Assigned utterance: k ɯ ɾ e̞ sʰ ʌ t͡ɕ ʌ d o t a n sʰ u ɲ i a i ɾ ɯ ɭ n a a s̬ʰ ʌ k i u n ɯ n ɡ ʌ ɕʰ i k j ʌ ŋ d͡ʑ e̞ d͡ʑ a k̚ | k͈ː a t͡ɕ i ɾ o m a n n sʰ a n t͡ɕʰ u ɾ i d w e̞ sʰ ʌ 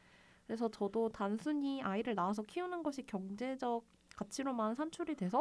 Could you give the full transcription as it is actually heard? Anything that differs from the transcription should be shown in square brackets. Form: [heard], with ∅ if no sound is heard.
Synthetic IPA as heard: k ɯ ɾ e̞ sʰ ʌ t͡ɕ ʌ d o t a n sʰ u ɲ i a i ɾ ɯ ɭ n a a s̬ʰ ʌ [kʰ] i u n ɯ n ɡ ʌ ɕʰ i k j ʌ ŋ d͡ʑ e̞ d͡ʑ [ʌ] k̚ | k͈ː a [t͡ɕʰ] i ɾ o m a n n sʰ a n t͡ɕʰ u ɾ i d w e̞ sʰ ʌ